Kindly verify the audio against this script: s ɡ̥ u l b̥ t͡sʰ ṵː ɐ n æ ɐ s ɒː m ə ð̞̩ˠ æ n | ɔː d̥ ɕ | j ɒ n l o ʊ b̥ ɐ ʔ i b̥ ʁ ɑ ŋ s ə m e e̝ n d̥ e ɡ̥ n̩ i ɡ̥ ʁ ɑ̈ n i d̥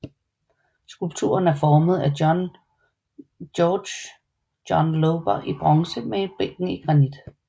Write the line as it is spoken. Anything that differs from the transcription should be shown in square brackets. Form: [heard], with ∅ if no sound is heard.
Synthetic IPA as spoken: s ɡ̥ u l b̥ t͡sʰ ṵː ɐ n æ ɐ [f] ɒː m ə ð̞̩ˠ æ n | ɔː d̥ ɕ | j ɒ n l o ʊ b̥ ɐ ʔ i b̥ ʁ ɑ ŋ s ə m e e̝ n [b̥] e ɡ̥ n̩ i ɡ̥ ʁ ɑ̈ n i d̥